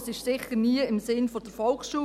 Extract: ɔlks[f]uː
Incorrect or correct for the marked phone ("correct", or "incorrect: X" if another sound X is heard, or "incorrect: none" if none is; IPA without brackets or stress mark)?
incorrect: ʃ